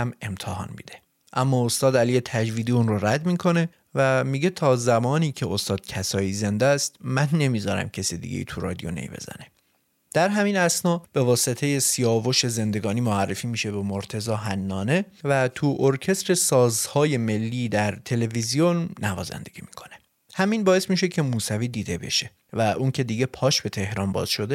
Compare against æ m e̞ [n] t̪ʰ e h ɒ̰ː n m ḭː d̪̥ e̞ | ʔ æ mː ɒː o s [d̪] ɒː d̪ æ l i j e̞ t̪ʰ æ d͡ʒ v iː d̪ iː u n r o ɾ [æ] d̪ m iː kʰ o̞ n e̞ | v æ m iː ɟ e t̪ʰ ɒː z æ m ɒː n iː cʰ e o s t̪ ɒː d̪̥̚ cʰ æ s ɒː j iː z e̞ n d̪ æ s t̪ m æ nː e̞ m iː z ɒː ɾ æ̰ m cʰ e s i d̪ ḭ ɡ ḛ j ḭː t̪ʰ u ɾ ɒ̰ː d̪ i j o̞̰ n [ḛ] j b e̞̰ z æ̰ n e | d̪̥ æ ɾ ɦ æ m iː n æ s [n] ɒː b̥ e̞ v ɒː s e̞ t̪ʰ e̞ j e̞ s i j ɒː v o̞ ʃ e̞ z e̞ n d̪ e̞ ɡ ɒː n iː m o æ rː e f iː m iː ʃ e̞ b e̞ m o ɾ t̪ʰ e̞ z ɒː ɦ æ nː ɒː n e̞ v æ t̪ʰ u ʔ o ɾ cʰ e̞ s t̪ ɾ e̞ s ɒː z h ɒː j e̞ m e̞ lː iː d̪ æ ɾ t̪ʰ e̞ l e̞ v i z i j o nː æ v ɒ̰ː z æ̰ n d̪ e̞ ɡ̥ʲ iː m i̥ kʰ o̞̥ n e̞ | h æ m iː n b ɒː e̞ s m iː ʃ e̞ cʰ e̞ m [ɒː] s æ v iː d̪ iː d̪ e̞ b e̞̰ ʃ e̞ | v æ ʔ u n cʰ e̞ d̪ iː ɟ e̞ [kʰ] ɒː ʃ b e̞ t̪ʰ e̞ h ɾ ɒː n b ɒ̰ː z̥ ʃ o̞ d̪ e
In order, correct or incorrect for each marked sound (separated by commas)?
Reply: incorrect, incorrect, correct, correct, correct, incorrect, incorrect